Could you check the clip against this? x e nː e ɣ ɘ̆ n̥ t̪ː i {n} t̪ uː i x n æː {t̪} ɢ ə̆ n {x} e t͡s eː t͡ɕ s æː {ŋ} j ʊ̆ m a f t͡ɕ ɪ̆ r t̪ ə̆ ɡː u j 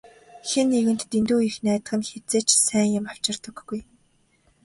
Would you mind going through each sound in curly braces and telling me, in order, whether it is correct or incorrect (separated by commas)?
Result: correct, correct, correct, correct